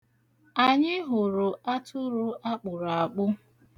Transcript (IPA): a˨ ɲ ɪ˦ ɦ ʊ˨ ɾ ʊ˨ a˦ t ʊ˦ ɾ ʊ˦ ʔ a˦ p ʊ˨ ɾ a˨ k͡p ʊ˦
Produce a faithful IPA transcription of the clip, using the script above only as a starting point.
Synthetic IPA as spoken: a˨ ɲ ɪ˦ ɦ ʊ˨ ɾ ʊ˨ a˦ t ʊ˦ ɾ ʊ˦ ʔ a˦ k͡p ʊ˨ ɾ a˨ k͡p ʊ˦